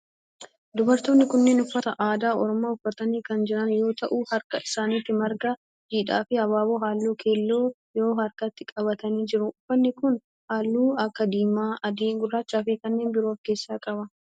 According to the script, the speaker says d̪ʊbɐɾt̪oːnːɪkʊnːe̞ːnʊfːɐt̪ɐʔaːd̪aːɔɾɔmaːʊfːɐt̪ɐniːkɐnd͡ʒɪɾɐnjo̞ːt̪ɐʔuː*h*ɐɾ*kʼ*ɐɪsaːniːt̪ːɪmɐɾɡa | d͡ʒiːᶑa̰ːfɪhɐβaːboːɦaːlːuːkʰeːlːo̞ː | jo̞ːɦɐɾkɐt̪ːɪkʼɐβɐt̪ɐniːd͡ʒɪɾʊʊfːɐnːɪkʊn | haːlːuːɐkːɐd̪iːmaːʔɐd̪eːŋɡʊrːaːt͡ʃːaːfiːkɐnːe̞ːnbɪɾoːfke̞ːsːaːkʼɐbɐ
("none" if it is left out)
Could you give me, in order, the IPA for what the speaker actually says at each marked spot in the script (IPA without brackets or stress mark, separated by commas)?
h, k